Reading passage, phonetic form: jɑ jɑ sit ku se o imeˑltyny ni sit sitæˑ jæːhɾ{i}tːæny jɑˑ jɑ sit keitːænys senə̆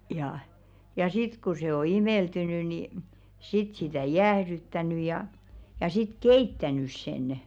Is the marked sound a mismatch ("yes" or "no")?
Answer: yes